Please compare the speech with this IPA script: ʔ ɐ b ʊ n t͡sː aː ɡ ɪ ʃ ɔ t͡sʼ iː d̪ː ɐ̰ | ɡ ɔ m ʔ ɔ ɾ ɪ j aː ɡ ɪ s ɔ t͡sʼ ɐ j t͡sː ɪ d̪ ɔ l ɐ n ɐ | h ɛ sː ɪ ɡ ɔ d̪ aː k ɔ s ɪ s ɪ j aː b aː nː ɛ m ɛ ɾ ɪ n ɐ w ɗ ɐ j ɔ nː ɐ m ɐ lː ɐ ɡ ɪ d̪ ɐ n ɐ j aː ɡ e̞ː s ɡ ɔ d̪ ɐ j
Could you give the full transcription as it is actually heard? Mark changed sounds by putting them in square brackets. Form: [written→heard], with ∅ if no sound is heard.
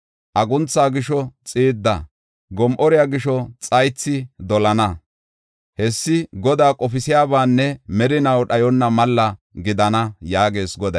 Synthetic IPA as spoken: ʔ ɐ [b→ɡ] ʊ n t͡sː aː ɡ ɪ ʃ ɔ t͡sʼ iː d̪ː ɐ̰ | ɡ ɔ m ʔ ɔ ɾ ɪ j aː ɡ ɪ [s→ʃ] ɔ t͡sʼ ɐ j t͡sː ɪ d̪ ɔ l ɐ n ɐ | h ɛ sː ɪ ɡ ɔ d̪ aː [k→kʼ] ɔ [s→f] ɪ s ɪ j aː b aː nː ɛ m ɛ ɾ ɪ n ɐ w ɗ ɐ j ɔ nː ɐ m ɐ lː ɐ ɡ ɪ d̪ ɐ n ɐ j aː ɡ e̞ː s ɡ ɔ d̪ ɐ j

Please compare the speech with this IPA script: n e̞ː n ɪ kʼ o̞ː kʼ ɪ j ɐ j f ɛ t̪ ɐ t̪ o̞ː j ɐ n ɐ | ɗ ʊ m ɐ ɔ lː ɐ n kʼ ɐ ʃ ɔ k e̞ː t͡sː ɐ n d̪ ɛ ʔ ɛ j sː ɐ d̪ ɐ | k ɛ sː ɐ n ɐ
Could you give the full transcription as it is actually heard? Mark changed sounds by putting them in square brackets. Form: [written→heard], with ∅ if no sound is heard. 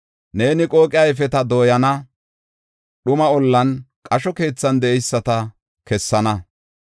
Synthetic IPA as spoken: n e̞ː n ɪ kʼ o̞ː kʼ ɪ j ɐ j f ɛ t̪ ɐ [t̪→d̪] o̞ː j ɐ n ɐ | ɗ ʊ m ɐ ɔ lː ɐ n kʼ ɐ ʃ ɔ k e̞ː t͡sː ɐ n d̪ ɛ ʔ ɛ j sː ɐ [d̪→t̪] ɐ | k ɛ sː ɐ n ɐ

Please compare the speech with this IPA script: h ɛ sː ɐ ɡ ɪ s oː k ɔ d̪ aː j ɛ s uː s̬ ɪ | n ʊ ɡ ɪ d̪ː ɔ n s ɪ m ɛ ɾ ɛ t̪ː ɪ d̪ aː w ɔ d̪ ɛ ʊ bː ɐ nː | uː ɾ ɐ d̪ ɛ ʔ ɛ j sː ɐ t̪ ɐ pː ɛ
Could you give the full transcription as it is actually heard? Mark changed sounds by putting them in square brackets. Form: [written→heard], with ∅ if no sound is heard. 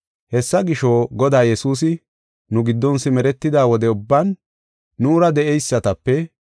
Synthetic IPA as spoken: h ɛ sː ɐ ɡ ɪ [s→ʃ] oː [k→ɡ] ɔ d̪ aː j ɛ s uː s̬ ɪ | n ʊ ɡ ɪ d̪ː ɔ n s ɪ m ɛ ɾ ɛ t̪ː ɪ d̪ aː w ɔ d̪ ɛ ʊ bː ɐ nː | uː ɾ ɐ d̪ ɛ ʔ ɛ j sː ɐ t̪ ɐ pː ɛ

